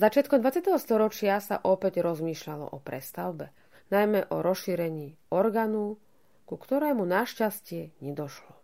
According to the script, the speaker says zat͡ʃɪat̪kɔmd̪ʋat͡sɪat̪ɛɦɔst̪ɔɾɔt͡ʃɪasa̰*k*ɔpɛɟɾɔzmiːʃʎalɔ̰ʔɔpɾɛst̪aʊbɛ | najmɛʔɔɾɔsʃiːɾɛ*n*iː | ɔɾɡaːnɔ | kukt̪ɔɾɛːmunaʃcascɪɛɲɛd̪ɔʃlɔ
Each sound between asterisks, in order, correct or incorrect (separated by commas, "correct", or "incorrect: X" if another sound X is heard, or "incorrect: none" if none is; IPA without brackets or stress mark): incorrect: ʔ, incorrect: ɲ